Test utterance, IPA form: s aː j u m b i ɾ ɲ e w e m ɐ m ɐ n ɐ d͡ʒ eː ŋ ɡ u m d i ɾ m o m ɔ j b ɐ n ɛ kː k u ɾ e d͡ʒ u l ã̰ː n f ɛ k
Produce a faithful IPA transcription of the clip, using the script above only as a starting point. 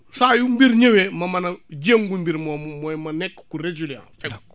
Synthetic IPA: s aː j u m b i ɾ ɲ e w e m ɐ m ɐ n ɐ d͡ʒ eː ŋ ɡ u m b i ɾ m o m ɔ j m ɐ n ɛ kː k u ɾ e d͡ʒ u l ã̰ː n f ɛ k